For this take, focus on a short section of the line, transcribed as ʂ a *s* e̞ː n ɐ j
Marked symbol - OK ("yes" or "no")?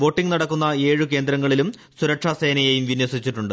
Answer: yes